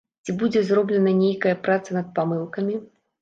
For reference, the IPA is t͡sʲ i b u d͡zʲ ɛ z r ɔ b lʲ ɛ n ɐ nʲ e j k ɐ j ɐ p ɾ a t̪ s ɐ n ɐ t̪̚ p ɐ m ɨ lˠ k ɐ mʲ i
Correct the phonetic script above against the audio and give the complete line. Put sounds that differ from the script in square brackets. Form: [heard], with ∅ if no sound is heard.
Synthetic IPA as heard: t͡sʲ i b u d͡zʲ ɛ z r ɔ b lʲ ɛ n ɐ nʲ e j k ɐ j ɐ p ɾ a t̪ s ɐ n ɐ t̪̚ p [a] m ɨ lˠ k ɐ mʲ i